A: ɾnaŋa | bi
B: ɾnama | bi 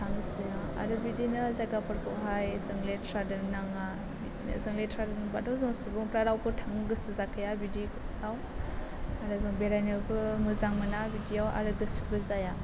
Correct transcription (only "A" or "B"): A